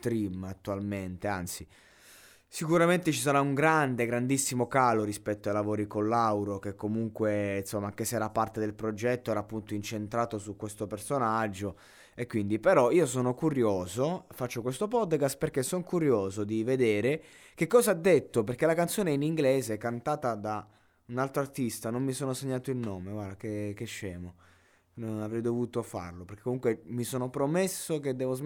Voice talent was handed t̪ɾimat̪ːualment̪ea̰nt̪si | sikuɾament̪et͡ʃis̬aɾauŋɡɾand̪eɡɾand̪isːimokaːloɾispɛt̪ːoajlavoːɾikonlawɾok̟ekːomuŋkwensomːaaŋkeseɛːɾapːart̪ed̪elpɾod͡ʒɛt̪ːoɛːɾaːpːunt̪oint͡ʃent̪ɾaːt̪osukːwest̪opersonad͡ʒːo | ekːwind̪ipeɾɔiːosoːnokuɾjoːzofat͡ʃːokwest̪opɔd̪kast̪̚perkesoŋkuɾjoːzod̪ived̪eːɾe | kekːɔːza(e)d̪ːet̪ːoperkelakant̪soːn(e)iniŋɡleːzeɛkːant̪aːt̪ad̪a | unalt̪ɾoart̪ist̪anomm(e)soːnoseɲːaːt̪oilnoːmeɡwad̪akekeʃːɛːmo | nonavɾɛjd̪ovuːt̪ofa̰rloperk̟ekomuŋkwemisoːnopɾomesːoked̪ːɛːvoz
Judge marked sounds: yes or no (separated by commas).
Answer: no, yes, no